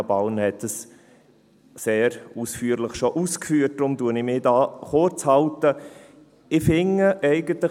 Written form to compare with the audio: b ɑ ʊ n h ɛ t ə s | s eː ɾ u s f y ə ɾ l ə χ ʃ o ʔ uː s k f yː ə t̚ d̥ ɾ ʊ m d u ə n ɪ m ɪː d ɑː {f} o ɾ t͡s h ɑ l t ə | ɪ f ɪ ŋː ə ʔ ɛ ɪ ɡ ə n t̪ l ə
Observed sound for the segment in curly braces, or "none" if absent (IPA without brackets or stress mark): χ